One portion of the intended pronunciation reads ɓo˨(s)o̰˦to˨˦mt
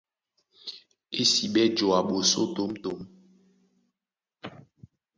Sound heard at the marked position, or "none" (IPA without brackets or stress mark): s